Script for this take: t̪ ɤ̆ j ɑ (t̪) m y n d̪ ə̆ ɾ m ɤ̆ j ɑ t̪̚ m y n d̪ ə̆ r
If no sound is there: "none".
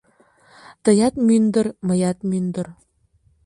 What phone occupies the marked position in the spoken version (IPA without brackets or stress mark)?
t̪